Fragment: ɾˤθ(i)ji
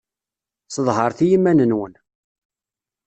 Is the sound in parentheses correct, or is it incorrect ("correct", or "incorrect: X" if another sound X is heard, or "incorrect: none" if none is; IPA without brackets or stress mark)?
correct